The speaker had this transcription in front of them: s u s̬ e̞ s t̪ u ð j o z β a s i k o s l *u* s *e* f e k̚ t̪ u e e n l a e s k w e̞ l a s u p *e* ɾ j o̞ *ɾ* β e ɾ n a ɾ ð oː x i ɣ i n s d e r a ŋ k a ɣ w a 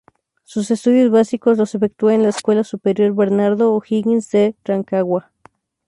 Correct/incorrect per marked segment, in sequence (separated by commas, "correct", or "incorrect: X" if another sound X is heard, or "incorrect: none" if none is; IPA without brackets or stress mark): incorrect: o, correct, correct, correct